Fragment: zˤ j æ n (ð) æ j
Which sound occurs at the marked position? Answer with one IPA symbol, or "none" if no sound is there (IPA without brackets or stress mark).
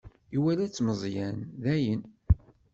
ð